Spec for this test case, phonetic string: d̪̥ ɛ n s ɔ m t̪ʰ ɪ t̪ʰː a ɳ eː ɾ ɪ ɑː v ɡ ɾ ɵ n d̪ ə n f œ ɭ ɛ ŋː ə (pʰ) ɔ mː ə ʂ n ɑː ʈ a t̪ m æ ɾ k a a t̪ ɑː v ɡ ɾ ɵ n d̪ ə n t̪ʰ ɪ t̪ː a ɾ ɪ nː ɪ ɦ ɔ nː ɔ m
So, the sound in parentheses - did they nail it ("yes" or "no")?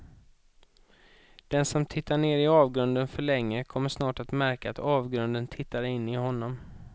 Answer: no